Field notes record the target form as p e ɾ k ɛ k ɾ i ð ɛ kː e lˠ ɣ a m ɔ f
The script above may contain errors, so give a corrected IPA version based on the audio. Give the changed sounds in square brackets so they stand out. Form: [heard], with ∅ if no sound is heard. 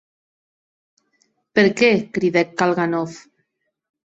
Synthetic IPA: p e ɾ k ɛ k ɾ i ð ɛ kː [a] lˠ ɣ a [n] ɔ f